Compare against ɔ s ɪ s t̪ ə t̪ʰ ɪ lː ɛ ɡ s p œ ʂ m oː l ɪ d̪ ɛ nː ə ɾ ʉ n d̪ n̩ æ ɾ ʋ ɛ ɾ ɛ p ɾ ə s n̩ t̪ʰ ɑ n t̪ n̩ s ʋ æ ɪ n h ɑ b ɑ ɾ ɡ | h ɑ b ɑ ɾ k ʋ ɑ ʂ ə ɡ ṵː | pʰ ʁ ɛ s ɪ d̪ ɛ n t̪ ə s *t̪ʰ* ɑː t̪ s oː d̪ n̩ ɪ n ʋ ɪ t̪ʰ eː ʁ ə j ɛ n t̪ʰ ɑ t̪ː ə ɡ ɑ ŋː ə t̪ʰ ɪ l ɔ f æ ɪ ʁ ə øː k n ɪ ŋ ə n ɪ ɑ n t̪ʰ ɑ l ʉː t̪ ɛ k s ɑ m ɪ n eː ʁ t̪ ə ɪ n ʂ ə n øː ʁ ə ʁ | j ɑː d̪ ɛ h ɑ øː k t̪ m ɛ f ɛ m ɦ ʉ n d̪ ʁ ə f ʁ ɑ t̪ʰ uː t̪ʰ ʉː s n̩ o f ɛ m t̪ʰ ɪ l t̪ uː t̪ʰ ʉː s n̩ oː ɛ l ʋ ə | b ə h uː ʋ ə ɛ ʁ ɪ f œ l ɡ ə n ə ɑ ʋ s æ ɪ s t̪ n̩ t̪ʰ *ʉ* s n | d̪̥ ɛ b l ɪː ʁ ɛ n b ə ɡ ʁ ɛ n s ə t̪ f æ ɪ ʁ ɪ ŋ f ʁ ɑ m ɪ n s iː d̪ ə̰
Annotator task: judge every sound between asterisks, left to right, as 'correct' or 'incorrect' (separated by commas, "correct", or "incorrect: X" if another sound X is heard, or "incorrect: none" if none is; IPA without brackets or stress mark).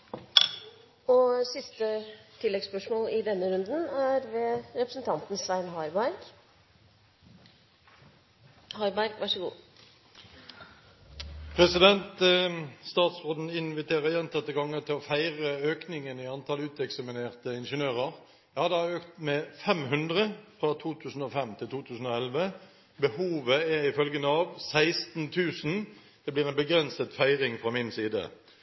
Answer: incorrect: t̪, incorrect: ʉː